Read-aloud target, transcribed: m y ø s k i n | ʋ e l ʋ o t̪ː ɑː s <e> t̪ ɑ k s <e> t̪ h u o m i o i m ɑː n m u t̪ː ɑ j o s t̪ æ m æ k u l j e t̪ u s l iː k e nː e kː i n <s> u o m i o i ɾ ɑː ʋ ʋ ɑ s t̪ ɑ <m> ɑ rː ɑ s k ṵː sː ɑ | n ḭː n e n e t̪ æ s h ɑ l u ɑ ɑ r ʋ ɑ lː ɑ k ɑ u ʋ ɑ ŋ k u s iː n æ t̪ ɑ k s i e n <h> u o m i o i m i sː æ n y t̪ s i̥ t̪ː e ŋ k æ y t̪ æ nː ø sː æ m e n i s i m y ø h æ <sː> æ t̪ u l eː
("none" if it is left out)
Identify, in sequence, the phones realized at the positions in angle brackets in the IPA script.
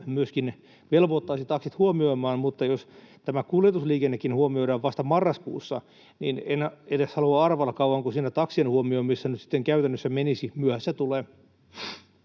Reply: i, i, h, m, h, sː

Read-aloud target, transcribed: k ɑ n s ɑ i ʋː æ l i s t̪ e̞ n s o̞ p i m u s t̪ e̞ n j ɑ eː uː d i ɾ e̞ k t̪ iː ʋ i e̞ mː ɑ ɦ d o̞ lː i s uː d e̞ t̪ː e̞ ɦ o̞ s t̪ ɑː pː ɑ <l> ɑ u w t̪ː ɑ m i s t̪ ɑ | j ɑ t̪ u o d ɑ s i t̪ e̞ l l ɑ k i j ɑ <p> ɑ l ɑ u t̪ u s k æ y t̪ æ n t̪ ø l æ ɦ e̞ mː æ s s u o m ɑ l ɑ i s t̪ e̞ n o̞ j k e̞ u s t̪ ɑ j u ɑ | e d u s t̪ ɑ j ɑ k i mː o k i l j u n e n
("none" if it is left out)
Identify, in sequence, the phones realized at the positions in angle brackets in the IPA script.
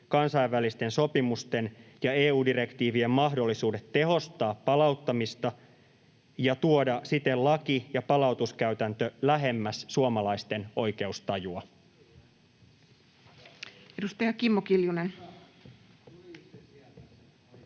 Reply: l, p

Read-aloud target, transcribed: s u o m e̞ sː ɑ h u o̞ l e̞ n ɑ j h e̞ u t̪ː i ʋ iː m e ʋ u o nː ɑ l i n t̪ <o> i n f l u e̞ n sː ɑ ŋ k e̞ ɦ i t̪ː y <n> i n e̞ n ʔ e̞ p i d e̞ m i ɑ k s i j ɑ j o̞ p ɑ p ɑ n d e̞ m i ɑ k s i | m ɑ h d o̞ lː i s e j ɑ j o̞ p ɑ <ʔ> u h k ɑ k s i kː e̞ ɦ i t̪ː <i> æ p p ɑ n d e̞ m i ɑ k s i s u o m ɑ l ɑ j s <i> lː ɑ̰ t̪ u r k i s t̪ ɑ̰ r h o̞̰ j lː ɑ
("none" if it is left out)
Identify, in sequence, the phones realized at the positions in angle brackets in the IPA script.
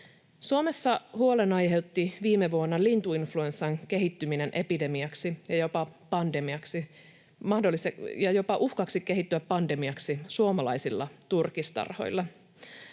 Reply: u, m, ʔ, y, i

